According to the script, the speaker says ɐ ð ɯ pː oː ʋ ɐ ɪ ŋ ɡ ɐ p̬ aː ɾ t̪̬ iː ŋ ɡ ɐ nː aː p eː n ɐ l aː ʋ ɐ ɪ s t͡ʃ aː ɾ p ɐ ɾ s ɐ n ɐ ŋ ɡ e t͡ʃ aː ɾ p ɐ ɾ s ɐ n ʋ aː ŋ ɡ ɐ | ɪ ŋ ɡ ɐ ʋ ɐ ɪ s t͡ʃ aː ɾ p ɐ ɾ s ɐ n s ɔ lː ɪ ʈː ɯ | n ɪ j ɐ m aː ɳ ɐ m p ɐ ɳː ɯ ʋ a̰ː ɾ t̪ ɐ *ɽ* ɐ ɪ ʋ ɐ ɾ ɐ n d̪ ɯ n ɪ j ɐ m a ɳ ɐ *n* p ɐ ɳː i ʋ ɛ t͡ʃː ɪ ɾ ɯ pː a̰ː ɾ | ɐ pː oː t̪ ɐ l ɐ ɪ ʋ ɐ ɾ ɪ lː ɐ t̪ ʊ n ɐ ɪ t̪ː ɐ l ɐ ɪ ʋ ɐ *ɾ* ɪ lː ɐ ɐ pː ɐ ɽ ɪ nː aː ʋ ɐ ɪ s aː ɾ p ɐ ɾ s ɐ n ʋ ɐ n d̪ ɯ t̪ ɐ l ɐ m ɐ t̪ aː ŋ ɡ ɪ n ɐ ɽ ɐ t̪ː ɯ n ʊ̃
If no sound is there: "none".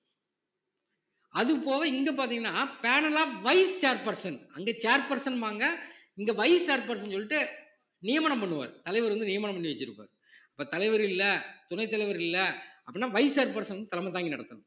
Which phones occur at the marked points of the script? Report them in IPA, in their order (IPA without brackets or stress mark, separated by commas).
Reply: l, m, ɾ